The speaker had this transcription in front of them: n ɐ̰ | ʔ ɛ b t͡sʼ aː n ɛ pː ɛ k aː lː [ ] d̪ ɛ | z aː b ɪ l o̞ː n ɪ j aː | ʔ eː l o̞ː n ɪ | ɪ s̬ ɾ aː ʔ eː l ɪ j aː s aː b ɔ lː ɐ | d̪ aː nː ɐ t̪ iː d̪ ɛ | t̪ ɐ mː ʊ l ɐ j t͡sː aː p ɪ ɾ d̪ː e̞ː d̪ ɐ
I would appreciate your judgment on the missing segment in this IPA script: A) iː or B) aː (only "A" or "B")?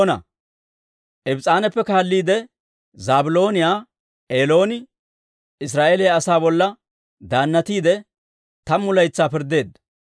A